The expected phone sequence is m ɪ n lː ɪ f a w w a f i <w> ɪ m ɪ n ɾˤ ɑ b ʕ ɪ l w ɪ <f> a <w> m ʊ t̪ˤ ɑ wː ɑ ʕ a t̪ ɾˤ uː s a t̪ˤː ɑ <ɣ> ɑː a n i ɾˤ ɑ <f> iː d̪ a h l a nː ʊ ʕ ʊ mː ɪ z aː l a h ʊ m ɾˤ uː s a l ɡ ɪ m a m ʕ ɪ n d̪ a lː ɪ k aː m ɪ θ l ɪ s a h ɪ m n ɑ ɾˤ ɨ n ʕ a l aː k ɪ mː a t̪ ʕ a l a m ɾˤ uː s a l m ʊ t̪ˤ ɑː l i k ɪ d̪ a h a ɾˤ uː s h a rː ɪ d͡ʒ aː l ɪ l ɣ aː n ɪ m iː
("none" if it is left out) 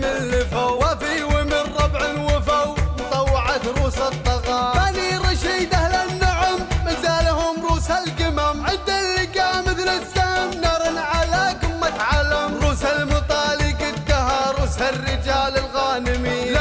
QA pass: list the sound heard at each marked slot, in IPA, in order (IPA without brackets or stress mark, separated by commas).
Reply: w, f, w, ɣ, ʃ